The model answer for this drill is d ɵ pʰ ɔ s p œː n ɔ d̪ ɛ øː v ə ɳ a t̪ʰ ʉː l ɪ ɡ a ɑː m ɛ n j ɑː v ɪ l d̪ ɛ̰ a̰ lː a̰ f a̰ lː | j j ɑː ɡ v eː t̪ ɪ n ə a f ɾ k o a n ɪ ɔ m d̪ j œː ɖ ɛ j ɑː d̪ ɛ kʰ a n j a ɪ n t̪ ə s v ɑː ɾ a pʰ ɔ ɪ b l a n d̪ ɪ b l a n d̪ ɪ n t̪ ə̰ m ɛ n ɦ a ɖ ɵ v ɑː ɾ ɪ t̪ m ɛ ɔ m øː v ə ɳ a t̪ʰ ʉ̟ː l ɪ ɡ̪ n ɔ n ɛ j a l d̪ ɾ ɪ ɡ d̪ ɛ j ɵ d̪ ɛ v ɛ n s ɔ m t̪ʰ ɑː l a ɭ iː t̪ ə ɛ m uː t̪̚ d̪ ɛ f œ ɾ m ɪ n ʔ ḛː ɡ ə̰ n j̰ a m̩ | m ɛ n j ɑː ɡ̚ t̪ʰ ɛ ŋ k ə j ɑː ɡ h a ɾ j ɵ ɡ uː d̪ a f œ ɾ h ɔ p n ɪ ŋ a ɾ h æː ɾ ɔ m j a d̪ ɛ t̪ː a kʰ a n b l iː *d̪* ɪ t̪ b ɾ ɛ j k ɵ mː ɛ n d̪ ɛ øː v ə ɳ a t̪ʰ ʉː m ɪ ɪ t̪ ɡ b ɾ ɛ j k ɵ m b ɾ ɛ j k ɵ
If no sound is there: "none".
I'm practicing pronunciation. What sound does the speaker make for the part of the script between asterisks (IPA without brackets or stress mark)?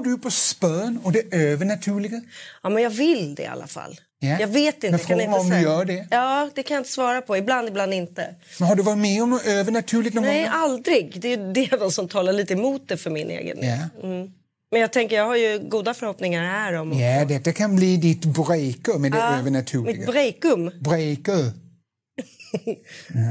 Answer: d̪